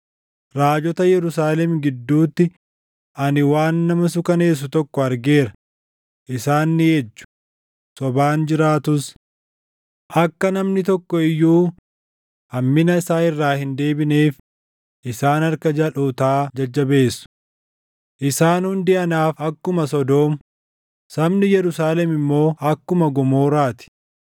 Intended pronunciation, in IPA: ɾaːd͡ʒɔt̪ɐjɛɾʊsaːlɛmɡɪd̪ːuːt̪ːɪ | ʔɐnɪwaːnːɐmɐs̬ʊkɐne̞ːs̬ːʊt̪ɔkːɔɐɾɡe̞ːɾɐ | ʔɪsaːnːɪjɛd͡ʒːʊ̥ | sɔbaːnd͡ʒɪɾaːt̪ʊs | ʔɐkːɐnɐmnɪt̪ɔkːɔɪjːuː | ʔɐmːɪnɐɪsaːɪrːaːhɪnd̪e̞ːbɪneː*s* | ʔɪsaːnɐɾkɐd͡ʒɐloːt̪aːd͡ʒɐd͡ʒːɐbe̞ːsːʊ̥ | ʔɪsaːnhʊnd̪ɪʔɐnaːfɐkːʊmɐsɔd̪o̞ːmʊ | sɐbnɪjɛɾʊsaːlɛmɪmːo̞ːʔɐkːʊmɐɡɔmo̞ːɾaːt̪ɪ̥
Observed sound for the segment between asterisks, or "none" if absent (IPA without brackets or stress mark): f